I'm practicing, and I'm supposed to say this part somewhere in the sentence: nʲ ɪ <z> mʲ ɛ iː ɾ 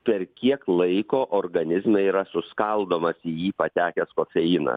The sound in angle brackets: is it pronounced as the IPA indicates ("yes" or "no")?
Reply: yes